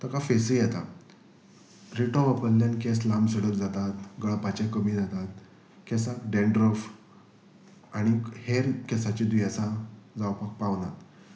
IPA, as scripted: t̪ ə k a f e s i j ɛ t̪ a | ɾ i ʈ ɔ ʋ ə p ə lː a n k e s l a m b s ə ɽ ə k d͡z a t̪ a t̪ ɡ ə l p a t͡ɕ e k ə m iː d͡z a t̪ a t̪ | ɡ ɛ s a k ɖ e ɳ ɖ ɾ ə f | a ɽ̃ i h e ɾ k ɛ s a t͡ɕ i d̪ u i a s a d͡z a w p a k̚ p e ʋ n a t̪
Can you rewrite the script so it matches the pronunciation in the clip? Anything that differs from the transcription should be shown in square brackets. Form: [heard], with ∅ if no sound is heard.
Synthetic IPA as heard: t̪ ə k a f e s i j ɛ t̪ a | ɾ i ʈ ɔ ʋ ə p ə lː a n k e s l a m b s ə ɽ ə k d͡z a t̪ a t̪ ɡ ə [ɭ] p a t͡ɕ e k ə m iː d͡z a t̪ a t̪ | [k] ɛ s a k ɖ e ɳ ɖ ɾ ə f | a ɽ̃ i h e ɾ k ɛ s a t͡ɕ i d̪ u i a s a d͡z a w p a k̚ p [a] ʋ n a t̪